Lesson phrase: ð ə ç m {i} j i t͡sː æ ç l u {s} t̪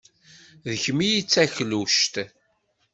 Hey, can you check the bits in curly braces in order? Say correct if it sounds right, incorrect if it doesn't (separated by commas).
correct, incorrect